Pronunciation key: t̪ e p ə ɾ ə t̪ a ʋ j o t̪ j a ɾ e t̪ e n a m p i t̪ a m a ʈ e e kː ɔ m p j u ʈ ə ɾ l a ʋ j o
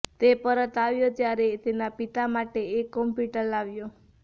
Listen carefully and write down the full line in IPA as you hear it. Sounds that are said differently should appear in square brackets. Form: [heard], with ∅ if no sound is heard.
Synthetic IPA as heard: t̪ e p ə ɾ ə t̪ a ʋ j o t̪ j a ɾ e t̪ e n a [∅] p i t̪ a m a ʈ e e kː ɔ m p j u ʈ ə ɾ l a ʋ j o